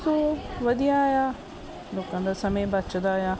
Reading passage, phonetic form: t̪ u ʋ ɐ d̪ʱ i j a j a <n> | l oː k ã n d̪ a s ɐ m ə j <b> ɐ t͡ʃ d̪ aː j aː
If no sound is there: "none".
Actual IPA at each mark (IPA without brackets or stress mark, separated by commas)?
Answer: none, b